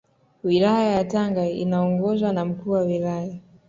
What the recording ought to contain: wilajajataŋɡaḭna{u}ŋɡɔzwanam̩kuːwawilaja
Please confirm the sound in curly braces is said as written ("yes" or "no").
no